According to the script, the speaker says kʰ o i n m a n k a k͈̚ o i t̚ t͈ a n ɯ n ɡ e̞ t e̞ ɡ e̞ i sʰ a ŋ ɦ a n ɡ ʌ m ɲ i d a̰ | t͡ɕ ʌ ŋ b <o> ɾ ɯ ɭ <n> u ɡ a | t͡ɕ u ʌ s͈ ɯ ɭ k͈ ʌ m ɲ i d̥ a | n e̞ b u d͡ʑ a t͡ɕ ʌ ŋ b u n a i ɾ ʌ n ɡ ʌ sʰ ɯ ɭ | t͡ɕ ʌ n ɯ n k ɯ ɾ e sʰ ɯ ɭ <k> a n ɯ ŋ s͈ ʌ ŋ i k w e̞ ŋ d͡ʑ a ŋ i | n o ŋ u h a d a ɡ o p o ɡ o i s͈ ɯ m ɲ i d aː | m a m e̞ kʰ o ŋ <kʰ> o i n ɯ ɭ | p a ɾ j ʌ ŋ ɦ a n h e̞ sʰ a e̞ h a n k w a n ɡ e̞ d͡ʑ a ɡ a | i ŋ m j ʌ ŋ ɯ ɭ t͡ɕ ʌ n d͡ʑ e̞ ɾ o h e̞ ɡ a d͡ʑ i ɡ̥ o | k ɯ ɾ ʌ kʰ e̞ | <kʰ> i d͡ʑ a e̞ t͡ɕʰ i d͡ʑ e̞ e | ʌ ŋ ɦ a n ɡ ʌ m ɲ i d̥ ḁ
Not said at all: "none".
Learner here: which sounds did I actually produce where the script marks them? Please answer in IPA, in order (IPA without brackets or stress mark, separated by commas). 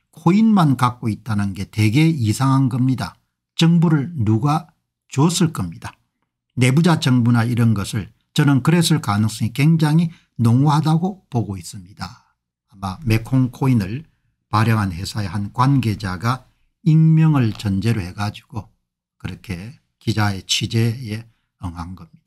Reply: u, n, k, kʰ, k